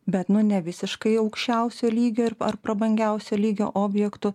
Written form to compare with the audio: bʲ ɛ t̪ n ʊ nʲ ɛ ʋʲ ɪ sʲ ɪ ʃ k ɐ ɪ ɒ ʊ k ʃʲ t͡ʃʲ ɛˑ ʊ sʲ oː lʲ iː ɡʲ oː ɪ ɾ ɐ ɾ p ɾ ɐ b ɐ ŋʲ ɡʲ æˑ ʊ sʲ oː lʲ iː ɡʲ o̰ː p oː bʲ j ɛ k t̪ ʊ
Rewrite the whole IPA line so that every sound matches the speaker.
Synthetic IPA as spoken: bʲ ɛ t̪ n ʊ nʲ ɛ ʋʲ ɪ sʲ ɪ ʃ k ɐ ɪ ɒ ʊ k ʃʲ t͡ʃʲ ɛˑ ʊ sʲ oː lʲ iː ɡʲ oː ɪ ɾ ɐ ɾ p ɾ ɐ b ɐ ŋʲ ɡʲ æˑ ʊ sʲ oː lʲ iː ɡʲ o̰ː ʔ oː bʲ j ɛ k t̪ ʊ